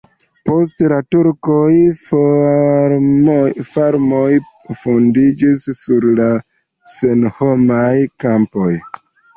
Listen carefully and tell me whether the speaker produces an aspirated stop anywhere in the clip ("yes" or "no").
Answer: no